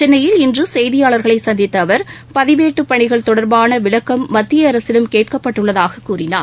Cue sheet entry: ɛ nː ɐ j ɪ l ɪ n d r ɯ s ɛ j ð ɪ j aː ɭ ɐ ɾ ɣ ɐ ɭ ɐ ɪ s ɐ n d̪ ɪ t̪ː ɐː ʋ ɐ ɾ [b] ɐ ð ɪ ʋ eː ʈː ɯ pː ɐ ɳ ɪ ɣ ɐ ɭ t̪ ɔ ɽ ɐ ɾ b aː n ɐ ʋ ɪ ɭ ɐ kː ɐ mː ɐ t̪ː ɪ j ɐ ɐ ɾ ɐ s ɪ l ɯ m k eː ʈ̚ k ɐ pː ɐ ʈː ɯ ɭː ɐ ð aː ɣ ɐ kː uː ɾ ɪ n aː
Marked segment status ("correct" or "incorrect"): incorrect